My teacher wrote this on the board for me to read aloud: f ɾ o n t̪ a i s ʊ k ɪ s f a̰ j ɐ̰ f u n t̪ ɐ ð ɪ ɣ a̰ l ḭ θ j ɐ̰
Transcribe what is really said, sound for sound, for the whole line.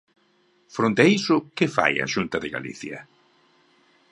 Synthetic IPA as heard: f ɾ o n t̪ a i s ʊ k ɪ f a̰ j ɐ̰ ʃ u n t̪ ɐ ð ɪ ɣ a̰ l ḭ θ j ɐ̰